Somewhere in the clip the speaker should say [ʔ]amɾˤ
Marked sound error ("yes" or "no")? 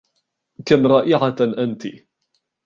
yes